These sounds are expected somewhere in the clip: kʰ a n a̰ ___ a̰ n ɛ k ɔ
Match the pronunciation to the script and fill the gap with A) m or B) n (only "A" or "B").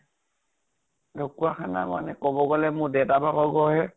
A